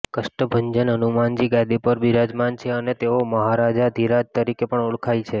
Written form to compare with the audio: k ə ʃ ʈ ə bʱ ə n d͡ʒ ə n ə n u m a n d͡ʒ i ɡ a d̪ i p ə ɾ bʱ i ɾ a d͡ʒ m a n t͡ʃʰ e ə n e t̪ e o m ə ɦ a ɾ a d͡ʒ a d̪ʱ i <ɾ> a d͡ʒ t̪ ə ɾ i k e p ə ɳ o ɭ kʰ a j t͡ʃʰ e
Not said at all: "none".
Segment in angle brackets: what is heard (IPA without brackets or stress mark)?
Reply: ɾ